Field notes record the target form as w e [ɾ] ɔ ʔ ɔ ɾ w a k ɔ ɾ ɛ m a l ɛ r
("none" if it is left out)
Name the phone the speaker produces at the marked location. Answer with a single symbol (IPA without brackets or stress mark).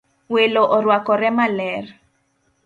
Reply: l